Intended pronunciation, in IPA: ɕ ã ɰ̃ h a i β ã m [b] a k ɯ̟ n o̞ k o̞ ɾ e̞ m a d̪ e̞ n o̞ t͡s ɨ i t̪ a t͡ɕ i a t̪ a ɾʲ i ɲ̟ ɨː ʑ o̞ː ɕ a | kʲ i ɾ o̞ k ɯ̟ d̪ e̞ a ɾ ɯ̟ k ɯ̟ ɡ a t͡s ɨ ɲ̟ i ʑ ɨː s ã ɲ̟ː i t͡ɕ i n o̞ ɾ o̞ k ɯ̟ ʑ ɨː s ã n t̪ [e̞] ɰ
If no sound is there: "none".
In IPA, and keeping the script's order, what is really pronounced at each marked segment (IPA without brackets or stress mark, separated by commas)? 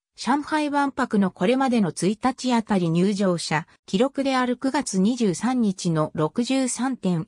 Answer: p, ẽ̞